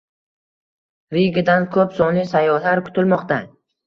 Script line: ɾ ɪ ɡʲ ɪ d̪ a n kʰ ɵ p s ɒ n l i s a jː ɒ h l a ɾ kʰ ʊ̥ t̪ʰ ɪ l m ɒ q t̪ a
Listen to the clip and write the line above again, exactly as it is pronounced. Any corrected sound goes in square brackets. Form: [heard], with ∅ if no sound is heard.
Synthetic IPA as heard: ɾ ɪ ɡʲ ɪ d̪ a n kʰ ɵ p s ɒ n l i s a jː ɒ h l a ɾ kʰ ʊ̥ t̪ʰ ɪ l m ɒ q t̪ a